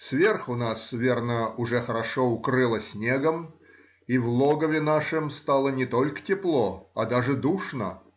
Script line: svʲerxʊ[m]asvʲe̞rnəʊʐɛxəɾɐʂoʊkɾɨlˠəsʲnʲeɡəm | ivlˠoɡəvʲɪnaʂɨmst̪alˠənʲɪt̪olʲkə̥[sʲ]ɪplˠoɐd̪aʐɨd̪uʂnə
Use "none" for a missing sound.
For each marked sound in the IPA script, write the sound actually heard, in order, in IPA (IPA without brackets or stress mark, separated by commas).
n, tʲ